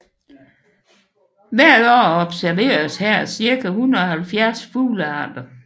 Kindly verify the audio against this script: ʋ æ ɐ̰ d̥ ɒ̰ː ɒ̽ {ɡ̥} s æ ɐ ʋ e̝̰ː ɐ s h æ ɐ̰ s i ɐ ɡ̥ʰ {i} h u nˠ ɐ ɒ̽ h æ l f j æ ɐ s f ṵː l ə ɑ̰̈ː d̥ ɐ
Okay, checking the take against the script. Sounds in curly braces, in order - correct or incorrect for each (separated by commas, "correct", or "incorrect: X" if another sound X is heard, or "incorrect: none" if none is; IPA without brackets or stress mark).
incorrect: b̥, incorrect: æ